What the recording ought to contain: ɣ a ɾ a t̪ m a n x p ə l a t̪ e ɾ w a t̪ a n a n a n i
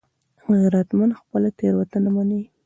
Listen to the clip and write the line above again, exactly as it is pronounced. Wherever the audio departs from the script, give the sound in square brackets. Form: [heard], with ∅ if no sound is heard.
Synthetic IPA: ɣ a ɾ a t̪ m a n x p ə l a t̪ e ɾ w a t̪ a n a [m] a n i